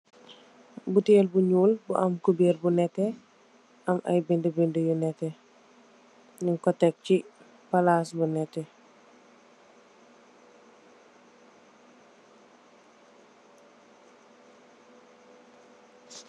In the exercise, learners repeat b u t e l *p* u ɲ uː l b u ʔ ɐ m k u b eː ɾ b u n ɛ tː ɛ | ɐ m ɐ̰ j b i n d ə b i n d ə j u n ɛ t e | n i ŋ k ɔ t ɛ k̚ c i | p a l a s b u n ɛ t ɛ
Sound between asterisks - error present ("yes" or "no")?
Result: yes